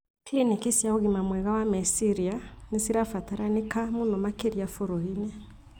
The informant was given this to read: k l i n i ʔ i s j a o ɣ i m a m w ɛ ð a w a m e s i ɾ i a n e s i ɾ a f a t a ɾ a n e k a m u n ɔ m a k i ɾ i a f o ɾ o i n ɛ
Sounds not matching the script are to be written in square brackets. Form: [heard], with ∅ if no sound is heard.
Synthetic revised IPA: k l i n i [k] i s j a o ɣ i m a m w ɛ [ɣ] a w a m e s i ɾ i a n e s i ɾ a f a t a ɾ a n e k a m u n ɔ m a k [e] ɾ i a f o ɾ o i n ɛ